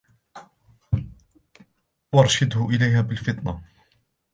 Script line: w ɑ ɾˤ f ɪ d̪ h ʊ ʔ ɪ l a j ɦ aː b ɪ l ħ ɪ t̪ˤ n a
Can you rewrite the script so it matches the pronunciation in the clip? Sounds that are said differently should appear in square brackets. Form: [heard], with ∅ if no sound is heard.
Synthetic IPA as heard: w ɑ ɾˤ [ʃ] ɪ d̪ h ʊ ʔ ɪ l a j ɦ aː b ɪ l [f] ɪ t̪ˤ n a